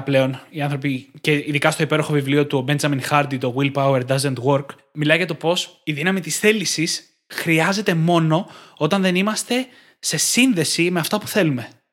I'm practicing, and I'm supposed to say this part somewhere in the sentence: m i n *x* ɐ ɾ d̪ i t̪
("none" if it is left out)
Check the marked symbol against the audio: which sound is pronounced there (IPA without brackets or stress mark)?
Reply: x